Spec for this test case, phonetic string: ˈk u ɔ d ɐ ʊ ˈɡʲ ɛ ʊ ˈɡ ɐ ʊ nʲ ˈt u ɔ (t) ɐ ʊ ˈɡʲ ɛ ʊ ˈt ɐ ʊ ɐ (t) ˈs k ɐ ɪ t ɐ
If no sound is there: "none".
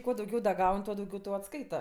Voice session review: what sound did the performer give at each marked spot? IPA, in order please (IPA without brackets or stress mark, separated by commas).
d, t